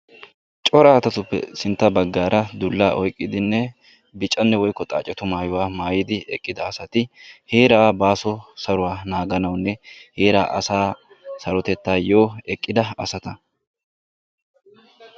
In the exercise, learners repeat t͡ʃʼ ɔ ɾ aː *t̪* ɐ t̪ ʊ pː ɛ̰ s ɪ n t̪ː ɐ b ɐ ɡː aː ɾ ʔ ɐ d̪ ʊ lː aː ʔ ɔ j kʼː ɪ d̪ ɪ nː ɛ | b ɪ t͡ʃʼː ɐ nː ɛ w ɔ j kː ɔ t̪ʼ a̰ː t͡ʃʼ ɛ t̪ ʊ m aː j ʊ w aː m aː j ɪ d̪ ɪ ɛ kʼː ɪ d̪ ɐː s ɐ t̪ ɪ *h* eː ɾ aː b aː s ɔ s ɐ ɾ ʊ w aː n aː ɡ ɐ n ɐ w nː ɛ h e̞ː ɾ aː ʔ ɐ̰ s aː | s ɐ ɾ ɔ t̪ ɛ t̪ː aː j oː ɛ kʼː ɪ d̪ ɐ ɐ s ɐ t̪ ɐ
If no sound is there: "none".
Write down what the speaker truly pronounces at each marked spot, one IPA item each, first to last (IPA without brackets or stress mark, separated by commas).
t̪, h